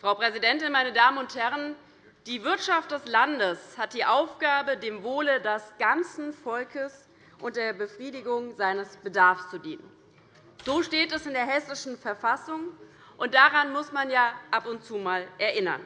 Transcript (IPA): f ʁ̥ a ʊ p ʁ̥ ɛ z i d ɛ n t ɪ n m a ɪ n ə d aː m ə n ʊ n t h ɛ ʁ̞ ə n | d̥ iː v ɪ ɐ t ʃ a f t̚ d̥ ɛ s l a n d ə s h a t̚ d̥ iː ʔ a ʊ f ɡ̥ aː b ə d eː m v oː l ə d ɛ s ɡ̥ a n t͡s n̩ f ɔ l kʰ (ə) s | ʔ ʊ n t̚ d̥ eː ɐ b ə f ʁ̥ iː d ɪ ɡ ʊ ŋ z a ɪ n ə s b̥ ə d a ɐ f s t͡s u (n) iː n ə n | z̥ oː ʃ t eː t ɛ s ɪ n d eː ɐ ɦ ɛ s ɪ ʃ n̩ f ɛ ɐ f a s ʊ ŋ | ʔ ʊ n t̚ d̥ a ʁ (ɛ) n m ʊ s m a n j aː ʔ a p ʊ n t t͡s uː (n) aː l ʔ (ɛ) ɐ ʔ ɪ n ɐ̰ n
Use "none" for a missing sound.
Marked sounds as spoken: ə, d, a, m, ɛ

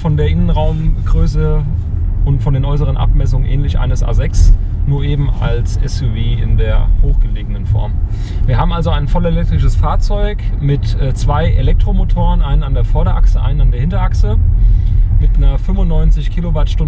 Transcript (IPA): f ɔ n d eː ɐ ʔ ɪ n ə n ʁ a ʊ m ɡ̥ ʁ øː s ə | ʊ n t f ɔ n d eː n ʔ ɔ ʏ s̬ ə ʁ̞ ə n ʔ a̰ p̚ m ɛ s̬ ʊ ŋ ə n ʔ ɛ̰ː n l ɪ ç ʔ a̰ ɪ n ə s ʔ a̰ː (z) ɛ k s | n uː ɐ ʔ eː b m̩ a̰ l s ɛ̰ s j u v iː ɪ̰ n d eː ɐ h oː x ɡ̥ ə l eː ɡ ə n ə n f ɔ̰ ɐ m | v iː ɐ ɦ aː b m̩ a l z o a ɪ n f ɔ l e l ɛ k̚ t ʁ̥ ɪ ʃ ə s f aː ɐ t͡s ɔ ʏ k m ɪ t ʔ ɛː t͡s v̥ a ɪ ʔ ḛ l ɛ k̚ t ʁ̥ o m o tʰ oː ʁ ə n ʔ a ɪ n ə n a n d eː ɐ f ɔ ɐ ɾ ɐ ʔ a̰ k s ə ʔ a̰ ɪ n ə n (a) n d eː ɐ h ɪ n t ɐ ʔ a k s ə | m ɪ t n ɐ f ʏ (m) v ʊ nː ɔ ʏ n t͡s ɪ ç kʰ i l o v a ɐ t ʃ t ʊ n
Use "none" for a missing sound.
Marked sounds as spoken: z, a, m

